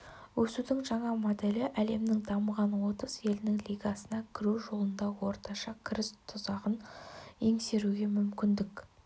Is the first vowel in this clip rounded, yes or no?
yes